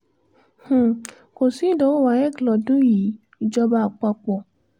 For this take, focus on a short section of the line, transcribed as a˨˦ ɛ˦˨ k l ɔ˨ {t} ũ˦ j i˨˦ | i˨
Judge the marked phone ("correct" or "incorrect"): incorrect